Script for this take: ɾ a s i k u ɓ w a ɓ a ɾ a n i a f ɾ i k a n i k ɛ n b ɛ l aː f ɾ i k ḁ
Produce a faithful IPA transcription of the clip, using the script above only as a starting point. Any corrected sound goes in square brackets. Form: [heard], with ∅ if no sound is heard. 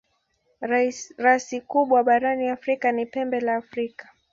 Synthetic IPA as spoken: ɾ a s i k u ɓ w a ɓ a ɾ a n i a f ɾ i k a n i [p] ɛ [m] b ɛ l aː f ɾ i k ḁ